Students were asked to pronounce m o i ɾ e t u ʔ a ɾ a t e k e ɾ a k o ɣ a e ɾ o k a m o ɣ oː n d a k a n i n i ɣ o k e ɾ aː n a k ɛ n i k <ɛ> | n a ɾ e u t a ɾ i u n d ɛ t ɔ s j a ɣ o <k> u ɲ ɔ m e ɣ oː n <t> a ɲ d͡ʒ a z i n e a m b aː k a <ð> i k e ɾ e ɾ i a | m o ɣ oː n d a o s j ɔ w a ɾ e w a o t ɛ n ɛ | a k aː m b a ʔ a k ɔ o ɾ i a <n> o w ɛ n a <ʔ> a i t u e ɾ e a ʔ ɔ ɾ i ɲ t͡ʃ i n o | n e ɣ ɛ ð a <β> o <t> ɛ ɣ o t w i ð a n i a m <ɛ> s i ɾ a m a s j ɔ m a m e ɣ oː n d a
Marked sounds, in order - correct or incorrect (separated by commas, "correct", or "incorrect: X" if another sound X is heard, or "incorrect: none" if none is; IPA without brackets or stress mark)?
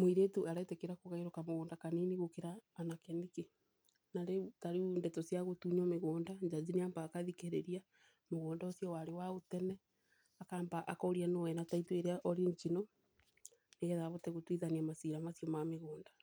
incorrect: e, incorrect: t, incorrect: d, correct, correct, incorrect: t, correct, correct, incorrect: a